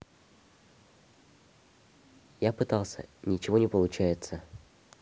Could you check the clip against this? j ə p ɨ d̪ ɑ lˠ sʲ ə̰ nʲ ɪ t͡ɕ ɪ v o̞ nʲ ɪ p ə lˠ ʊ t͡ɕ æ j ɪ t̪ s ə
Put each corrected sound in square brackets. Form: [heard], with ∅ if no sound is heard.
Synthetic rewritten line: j [a] p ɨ [t̪] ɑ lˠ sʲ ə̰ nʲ ɪ t͡ɕ ɪ v o̞ nʲ ɪ p ə lˠ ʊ t͡ɕ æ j ɪ t̪ s ə